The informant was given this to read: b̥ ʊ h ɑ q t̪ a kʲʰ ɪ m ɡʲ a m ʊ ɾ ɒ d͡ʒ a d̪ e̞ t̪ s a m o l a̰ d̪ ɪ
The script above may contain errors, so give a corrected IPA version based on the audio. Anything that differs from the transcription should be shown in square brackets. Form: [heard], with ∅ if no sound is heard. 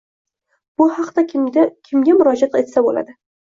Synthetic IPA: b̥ ʊ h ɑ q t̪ a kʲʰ ɪ m ɡʲ a m ʊ ɾ ɒ d͡ʒ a [t̪] e̞ t̪ s a [b] o l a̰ d̪ ɪ